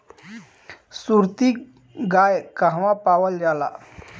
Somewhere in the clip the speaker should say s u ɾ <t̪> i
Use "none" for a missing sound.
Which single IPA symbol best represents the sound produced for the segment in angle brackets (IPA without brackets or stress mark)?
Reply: t̪